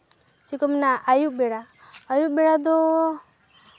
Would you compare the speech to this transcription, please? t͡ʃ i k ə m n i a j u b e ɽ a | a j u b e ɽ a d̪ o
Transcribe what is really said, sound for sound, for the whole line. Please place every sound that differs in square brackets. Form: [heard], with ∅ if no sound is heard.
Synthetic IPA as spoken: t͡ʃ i k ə m n [a] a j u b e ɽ a | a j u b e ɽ a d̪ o